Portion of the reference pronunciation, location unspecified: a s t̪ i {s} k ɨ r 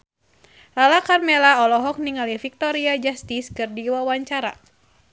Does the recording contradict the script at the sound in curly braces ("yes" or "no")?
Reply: no